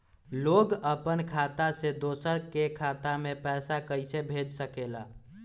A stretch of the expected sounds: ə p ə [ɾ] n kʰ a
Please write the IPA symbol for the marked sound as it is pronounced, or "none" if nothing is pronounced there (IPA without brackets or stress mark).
none